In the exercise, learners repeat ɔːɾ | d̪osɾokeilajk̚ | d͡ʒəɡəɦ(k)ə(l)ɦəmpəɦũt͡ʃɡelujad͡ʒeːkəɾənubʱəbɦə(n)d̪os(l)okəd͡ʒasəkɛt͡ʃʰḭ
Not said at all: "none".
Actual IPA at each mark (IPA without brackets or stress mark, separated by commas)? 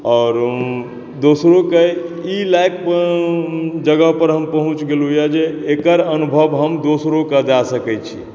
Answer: p, ɾ, m, ɾ